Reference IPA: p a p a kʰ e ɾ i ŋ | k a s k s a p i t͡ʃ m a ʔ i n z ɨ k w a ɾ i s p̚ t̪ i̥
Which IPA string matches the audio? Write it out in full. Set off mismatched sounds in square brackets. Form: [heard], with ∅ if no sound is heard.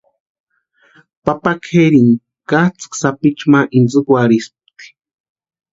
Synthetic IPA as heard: p a p a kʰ e ɾ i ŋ | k a [t͡s] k s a p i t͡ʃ m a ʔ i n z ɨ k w a ɾ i s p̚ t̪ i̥